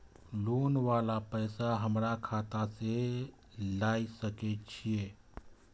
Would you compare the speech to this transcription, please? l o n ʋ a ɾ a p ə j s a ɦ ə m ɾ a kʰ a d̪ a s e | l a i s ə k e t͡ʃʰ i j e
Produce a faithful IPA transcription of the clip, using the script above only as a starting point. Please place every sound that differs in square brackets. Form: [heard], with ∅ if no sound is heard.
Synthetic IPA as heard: l o n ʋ a [l] a p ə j s a ɦ ə m ɾ a kʰ a [t̪] a s e | l a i s ə k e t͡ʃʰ i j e